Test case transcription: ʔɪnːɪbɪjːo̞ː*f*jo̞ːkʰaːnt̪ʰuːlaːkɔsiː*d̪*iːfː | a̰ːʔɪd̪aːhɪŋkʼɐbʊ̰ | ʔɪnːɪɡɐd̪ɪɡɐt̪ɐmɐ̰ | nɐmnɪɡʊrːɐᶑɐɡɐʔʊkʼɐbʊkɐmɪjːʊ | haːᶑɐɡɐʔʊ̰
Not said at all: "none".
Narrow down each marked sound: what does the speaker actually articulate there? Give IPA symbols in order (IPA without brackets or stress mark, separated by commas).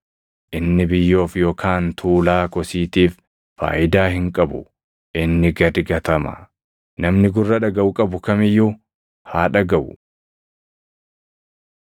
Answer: f, t̪